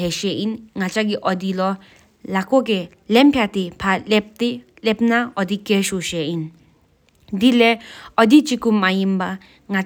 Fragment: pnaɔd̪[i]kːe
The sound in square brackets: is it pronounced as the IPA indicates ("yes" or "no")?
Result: yes